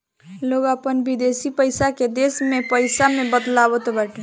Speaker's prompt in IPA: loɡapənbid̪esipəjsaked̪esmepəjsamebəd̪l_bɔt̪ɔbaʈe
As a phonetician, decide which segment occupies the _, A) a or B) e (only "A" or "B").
A